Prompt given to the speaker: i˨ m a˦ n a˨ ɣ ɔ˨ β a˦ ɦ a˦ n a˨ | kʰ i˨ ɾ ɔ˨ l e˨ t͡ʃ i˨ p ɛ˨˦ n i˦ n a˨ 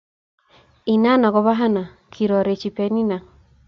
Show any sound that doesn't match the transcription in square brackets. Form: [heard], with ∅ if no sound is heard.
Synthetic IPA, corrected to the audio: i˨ [n] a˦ n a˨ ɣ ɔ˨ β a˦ ɦ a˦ n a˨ | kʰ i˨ ɾ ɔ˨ [ɾ] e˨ t͡ʃ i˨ p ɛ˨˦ n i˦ n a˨